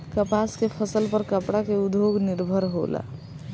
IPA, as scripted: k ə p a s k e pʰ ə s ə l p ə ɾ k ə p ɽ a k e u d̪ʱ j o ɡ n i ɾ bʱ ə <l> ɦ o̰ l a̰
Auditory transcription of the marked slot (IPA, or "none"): ɾ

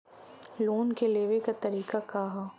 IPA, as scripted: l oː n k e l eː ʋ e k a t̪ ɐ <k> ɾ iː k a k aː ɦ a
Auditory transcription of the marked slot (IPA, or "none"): none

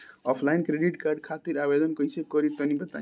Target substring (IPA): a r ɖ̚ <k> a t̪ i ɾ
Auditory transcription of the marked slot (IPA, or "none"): kʰ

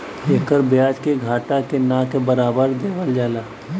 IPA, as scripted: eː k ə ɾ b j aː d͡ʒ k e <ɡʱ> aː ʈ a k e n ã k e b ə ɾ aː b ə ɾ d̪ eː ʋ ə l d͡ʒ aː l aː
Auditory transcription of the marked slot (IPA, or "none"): ɡʱ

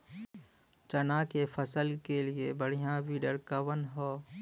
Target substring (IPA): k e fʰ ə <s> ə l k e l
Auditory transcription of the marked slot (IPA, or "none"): s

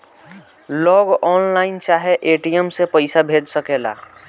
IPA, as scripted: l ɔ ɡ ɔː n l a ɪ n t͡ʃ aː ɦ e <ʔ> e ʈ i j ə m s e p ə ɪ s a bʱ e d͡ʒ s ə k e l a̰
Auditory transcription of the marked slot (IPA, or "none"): ʔ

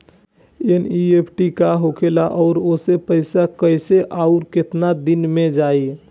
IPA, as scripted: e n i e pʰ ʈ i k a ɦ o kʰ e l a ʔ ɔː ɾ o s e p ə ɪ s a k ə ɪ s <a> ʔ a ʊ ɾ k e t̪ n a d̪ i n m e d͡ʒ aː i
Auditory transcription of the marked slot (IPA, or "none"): e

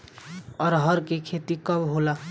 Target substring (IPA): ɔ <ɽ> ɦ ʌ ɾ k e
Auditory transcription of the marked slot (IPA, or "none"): ɾ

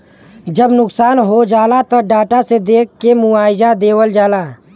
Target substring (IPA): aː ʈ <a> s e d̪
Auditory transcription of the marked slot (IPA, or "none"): a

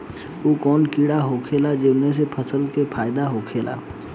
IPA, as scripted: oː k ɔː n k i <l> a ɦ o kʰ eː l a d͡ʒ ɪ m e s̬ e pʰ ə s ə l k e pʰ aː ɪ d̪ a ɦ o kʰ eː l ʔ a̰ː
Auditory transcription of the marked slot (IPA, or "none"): ɽ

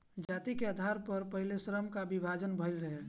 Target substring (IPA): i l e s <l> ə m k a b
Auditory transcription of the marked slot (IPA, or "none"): ɾ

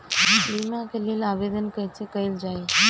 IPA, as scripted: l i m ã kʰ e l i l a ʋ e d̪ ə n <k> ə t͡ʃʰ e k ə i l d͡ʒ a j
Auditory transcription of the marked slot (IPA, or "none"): k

